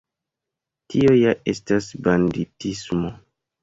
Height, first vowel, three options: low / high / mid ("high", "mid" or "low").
high